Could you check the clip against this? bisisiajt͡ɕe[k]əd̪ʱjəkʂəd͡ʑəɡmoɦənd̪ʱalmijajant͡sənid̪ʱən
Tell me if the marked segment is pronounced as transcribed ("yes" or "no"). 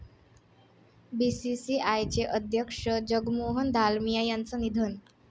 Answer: no